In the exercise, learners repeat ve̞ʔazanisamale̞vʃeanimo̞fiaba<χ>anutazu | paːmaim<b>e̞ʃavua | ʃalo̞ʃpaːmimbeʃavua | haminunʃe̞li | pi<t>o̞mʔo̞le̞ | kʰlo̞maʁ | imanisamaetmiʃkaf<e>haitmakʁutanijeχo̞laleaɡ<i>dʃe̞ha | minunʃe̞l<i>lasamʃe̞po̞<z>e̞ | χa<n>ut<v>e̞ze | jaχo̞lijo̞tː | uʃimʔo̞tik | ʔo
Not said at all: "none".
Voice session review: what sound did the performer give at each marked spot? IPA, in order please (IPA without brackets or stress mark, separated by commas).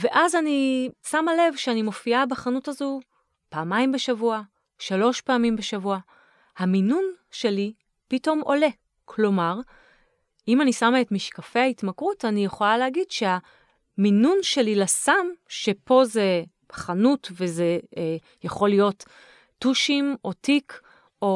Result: χ, b, t, e, i, i, z, n, v